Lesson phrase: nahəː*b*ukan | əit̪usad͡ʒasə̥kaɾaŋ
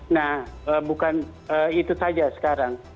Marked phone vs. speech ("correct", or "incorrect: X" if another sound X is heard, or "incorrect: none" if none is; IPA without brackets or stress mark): correct